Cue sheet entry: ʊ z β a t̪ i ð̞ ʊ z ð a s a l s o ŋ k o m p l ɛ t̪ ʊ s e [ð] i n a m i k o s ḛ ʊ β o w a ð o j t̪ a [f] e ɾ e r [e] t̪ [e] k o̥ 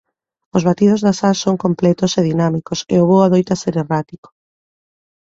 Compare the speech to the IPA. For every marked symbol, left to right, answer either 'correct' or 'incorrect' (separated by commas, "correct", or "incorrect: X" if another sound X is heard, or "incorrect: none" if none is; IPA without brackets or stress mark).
correct, incorrect: s, incorrect: a, incorrect: i